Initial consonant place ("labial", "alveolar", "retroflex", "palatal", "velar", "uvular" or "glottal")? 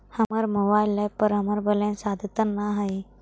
glottal